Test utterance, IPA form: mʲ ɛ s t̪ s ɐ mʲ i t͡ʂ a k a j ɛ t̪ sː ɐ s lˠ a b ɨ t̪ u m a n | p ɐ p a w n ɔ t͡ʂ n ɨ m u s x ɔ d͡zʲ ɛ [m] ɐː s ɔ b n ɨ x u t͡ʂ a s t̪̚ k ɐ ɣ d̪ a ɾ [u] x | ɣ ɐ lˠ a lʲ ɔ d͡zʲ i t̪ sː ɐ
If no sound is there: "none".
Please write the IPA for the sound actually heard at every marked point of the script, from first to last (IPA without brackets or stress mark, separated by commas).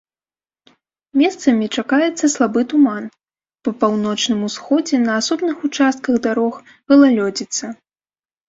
n, ɔ